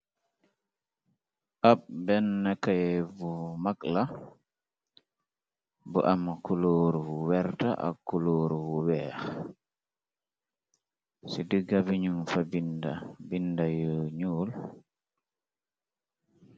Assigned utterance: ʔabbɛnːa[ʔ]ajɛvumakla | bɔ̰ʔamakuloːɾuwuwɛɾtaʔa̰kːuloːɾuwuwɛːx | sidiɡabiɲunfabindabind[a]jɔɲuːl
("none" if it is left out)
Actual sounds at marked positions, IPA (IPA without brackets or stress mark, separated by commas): k, a